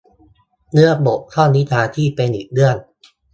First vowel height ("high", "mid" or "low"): high